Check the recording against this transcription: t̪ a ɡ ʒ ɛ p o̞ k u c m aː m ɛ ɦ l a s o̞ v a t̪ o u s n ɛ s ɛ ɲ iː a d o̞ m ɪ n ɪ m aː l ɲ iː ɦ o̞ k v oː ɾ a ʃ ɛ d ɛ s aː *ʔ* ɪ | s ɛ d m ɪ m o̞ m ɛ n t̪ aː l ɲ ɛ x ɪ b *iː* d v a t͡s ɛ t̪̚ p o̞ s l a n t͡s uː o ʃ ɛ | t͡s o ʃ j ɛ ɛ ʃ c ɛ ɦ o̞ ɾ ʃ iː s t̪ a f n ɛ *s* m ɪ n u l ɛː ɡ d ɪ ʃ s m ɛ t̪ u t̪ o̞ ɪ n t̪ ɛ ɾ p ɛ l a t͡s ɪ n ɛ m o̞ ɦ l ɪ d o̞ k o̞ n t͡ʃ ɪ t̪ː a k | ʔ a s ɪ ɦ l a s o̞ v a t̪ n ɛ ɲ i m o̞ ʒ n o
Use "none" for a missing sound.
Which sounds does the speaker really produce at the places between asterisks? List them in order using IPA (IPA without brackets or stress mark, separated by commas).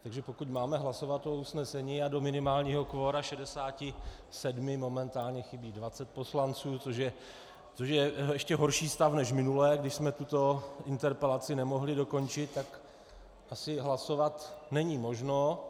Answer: c, iː, ʃ